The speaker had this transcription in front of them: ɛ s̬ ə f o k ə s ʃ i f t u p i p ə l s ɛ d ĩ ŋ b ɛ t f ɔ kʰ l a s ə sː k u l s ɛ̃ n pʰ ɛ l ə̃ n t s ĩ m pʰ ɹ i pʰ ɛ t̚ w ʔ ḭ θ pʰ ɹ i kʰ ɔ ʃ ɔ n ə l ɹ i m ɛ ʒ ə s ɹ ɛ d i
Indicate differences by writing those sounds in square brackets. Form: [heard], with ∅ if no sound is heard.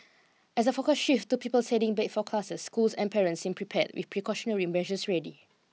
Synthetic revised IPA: ɛ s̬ ə f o k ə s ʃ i f t u p i p ə l s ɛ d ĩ ŋ b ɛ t f ɔ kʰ l a s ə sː k u l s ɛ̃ n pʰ ɛ [ɹ] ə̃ n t s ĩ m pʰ ɹ i pʰ ɛ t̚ w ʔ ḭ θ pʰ ɹ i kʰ ɔ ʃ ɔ n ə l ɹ i m ɛ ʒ ə s ɹ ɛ d i